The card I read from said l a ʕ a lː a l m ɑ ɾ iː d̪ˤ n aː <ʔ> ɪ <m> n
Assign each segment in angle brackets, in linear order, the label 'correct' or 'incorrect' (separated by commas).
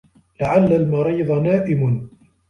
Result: correct, correct